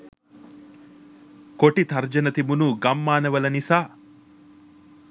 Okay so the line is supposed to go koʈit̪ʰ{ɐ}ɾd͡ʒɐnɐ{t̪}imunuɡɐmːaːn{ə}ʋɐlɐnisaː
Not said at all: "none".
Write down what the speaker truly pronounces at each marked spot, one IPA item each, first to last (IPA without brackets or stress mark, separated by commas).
ɐ, t̪, ɐ